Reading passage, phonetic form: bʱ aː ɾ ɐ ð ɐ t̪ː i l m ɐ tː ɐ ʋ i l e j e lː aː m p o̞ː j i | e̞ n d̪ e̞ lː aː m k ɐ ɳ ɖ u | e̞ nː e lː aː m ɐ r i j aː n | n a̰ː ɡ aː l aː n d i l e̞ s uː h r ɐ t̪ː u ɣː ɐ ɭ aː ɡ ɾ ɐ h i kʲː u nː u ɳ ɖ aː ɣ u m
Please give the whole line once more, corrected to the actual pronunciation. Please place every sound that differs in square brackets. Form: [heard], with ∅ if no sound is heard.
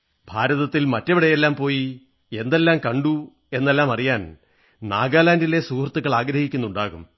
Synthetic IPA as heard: bʱ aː ɾ ɐ ð ɐ t̪ː i l m ɐ tː ɐ ʋ i [ɽ] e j e lː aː m p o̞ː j i | e̞ n d̪ e̞ lː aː m k ɐ ɳ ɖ u | e̞ nː e lː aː m ɐ r i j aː n | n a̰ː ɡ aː l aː n d i l e̞ s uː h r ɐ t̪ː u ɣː ɐ ɭ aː ɡ ɾ ɐ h i kʲː u nː u ɳ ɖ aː ɣ u m